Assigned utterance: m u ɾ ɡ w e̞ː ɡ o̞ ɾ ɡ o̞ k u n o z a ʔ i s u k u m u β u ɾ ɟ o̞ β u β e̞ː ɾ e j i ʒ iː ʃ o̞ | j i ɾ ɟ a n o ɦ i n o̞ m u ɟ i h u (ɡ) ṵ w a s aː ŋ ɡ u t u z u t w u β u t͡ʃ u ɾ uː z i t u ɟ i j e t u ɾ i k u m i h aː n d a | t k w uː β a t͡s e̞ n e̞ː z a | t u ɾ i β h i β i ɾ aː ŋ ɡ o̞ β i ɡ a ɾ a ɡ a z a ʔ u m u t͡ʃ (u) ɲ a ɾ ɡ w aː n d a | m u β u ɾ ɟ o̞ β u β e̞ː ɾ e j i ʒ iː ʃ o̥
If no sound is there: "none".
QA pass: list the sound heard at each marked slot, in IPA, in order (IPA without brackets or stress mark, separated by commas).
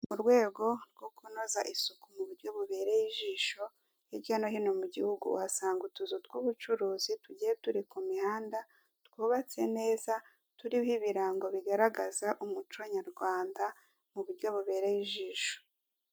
ɡ, o